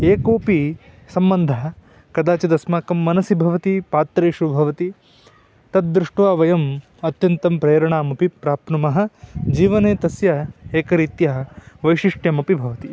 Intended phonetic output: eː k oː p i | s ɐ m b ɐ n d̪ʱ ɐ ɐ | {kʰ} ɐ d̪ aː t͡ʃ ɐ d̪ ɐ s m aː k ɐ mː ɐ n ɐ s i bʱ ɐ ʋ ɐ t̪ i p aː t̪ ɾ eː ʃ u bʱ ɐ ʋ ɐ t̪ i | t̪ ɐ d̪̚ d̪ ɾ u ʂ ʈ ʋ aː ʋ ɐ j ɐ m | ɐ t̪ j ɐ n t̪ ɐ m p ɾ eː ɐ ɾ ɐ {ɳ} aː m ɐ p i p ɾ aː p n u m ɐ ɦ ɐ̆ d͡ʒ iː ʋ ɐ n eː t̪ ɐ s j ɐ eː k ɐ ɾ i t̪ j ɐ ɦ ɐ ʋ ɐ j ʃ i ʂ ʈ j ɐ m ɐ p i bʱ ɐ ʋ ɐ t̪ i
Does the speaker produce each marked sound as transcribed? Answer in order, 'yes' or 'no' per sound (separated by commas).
no, yes